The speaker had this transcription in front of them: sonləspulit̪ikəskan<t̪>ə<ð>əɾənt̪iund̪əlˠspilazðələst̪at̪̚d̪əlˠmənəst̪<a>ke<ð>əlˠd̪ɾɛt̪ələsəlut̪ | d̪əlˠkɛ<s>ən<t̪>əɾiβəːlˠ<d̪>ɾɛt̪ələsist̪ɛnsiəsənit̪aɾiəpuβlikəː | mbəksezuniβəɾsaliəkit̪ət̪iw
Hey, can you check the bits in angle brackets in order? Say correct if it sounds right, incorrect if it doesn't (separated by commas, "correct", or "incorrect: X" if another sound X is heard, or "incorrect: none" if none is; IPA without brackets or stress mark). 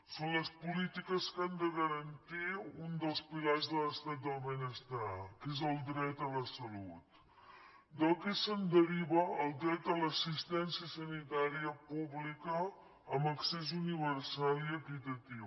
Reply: incorrect: d̪, incorrect: ɣ, correct, incorrect: z, correct, incorrect: d̪, correct